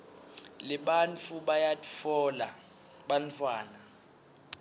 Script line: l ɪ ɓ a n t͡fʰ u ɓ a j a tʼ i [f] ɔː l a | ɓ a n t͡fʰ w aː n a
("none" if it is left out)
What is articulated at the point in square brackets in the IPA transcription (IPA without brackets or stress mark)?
f